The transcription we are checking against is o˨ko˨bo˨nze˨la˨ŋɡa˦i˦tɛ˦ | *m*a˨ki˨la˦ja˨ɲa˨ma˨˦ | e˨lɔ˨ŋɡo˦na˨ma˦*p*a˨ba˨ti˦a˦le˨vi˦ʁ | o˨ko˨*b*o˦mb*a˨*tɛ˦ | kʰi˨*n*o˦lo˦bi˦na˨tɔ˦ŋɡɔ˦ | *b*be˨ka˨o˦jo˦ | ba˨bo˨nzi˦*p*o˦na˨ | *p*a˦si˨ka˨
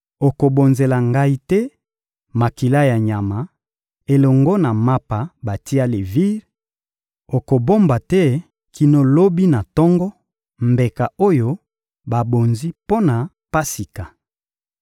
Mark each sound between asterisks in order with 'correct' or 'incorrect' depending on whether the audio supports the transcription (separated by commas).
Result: correct, correct, correct, correct, correct, incorrect, correct, correct